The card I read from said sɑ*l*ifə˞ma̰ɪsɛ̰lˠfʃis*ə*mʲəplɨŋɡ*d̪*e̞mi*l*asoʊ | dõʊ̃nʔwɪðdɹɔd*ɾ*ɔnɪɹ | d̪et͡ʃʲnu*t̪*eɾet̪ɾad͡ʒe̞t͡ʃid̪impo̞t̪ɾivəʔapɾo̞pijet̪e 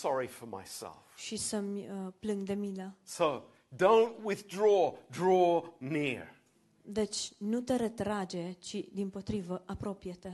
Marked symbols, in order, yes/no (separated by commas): no, yes, yes, yes, no, yes